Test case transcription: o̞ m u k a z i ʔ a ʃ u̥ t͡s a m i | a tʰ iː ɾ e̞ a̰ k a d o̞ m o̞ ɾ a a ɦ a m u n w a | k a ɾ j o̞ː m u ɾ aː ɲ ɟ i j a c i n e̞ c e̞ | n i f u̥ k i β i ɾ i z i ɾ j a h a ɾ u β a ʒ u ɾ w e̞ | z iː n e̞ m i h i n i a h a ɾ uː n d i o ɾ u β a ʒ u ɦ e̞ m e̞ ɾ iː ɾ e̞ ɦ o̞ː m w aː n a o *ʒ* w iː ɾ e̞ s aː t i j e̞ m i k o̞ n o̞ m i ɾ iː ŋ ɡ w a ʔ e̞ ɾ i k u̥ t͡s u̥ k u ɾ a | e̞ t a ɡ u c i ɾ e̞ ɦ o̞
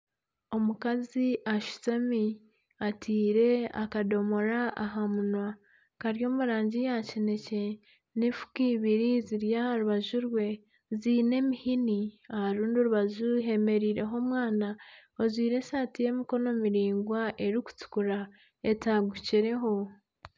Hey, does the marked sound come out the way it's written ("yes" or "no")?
no